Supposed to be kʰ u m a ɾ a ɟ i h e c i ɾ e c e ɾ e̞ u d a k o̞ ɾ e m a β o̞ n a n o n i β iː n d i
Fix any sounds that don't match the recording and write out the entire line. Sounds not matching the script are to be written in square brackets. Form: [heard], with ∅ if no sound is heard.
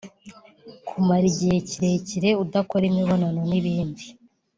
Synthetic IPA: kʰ u m a ɾ [i] ɟ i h e c i ɾ e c [i] ɾ e̞ u d a k o̞ ɾ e m [i] β o̞ n a n o n i β iː n d i